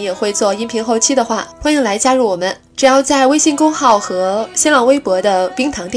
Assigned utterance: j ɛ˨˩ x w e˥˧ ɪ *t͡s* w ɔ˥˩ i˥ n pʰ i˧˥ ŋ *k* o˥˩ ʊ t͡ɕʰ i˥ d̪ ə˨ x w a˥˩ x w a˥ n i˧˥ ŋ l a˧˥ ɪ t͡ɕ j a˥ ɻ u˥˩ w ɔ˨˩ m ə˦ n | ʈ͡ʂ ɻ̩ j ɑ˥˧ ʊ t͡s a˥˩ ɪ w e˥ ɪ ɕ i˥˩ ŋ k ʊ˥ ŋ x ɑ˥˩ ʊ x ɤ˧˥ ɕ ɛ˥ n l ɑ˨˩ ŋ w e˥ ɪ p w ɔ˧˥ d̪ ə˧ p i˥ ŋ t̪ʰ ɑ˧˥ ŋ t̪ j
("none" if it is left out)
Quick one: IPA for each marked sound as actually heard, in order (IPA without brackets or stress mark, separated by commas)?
t͡s, x